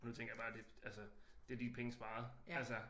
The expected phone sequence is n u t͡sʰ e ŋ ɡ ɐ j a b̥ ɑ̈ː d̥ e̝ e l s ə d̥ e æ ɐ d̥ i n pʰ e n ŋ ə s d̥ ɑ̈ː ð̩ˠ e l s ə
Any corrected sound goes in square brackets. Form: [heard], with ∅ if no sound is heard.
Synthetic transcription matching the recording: n u t͡sʰ e ŋ ɡ ɐ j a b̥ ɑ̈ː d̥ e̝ [æ] l s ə d̥ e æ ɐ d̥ i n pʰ e [∅] ŋ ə s [b̥] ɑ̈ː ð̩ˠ [æ] l s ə